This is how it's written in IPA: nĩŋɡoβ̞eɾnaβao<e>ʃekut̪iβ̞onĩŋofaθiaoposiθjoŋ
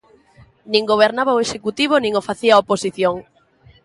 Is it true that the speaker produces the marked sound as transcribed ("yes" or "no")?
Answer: yes